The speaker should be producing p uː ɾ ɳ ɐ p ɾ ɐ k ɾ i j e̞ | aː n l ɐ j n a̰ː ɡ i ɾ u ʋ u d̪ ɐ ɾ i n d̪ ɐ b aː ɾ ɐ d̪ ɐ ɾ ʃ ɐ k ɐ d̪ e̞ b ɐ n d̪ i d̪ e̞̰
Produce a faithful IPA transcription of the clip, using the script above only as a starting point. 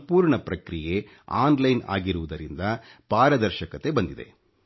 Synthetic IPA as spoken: p uː ɾ ɳ ɐ p ɾ ɐ k ɾ i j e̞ | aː n l ɐ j n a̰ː ɡ i ɾ u ʋ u d̪ ɐ ɾ i n d̪ ɐ p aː ɾ ɐ d̪ ɐ ɾ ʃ ɐ k ɐ t̪ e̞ b ɐ n d̪ i d̪ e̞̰